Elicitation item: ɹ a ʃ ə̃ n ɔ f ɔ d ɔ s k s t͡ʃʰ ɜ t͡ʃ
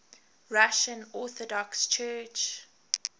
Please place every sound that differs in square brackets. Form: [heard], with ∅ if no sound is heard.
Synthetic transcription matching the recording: ɹ a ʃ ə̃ n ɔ [θ] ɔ d ɔ [∅] k s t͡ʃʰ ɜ t͡ʃ